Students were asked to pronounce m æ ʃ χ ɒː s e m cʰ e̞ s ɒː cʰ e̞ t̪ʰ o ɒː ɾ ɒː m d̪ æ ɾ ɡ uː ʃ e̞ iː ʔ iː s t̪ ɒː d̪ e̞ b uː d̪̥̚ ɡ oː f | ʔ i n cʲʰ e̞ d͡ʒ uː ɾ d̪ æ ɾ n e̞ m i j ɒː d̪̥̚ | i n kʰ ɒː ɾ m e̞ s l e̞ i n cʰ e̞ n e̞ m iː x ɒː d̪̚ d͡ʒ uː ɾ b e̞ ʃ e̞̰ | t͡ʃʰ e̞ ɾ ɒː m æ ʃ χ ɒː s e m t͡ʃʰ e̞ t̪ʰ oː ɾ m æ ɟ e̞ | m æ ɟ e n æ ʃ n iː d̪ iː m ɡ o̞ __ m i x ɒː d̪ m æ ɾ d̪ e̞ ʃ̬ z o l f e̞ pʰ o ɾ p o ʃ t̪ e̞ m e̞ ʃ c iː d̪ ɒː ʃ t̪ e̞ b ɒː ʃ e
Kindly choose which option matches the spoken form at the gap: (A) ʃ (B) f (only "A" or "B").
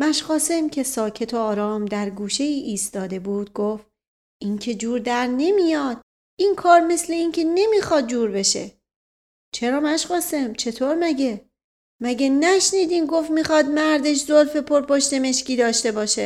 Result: B